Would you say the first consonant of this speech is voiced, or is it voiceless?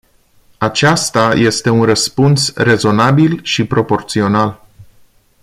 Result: voiceless